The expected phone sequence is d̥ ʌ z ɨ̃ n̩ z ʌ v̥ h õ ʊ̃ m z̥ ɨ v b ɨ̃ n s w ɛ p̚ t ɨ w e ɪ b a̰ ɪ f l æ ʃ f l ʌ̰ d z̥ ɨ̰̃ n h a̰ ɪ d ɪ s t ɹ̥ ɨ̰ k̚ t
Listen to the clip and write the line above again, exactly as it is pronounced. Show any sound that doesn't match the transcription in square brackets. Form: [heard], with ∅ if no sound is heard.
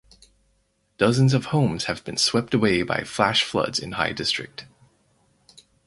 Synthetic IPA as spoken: d̥ ʌ z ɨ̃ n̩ z ʌ v̥ h õ ʊ̃ m z̥ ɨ v b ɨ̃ n s w ɛ p̚ t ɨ w e ɪ b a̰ ɪ f l æ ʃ f l ʌ̰ d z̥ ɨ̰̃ n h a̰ ɪ d ɪ s t ɹ̥ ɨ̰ k̚ t

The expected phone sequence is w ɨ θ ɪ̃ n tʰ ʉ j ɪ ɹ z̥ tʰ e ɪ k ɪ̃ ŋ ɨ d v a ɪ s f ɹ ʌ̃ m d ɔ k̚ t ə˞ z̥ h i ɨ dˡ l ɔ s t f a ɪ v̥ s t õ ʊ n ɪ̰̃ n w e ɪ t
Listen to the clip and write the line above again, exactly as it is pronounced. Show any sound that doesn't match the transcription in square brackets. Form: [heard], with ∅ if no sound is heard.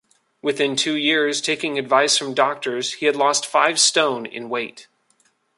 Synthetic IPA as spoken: w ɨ θ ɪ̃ n tʰ ʉ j ɪ ɹ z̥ tʰ e ɪ k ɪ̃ ŋ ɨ d v a ɪ s f ɹ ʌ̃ m d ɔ k̚ t ə˞ z̥ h i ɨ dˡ l ɔ s t f a ɪ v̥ s t õ [ʊ̃] n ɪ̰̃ n w e ɪ t

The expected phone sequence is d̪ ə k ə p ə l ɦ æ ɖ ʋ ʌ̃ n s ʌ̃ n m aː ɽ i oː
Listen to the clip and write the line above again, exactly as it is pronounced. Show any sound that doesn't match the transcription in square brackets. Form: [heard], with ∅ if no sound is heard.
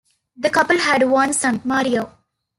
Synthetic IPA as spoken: d̪ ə k [ʌ] p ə l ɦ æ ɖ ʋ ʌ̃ n s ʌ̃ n m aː [ɾ] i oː

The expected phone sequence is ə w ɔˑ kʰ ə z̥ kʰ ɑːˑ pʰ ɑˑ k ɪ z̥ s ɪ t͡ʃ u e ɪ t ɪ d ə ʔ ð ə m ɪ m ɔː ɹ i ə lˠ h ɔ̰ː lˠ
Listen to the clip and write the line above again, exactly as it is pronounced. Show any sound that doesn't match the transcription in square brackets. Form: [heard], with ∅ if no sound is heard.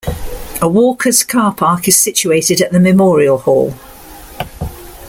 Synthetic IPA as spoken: ə w ɔˑ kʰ ə z̥ kʰ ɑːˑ pʰ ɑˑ k ɪ z̥ s ɪ t͡ʃ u e ɪ t ɪ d ə ʔ ð ə m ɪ m ɔː ɹ i ə lˠ h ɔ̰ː lˠ

